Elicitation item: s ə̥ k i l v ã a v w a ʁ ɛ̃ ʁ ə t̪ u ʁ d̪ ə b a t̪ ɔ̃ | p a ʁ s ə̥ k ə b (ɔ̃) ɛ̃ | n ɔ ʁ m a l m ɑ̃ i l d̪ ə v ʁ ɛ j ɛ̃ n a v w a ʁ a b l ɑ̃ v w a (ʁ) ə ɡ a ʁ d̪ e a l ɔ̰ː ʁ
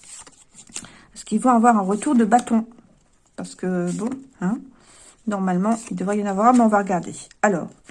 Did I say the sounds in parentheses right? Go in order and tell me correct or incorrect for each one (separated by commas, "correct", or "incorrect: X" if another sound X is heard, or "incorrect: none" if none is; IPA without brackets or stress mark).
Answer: correct, correct